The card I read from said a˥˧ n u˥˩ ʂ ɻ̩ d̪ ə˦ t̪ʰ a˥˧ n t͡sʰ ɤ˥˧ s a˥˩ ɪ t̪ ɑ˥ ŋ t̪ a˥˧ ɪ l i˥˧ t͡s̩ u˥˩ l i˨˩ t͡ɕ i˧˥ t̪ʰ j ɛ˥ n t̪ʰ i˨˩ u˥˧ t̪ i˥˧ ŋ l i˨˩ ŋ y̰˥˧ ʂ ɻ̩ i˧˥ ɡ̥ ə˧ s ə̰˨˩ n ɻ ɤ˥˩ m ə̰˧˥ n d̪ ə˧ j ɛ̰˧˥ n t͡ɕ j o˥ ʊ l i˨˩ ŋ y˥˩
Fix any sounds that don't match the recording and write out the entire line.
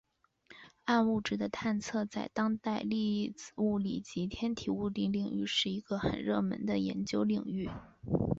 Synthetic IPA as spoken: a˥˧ n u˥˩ ʈ͡ʂ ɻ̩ d̪ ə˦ t̪ʰ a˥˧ n t͡sʰ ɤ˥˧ t͡s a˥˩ ɪ t̪ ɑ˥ ŋ t̪ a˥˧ ɪ l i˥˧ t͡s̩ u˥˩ l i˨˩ t͡ɕ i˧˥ t̪ʰ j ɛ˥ n t̪ʰ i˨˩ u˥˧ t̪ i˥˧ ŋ l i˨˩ ŋ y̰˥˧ ʂ ɻ̩ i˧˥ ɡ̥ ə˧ x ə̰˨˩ n ɻ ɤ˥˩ m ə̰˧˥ n d̪ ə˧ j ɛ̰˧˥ n t͡ɕ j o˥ ʊ l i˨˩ ŋ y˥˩